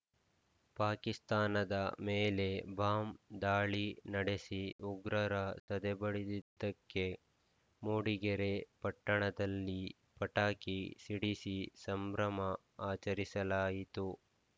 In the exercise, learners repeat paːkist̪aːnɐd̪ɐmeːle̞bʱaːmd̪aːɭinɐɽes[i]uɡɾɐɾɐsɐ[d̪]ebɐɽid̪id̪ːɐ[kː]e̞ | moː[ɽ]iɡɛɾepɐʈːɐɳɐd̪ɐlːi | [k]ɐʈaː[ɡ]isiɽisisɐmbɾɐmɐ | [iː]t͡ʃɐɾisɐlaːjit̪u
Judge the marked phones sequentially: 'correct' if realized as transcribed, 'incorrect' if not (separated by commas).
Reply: correct, correct, correct, correct, incorrect, incorrect, incorrect